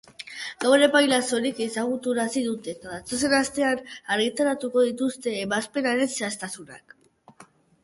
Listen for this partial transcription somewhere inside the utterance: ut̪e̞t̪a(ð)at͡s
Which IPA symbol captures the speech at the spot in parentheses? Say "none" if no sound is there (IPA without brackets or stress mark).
ð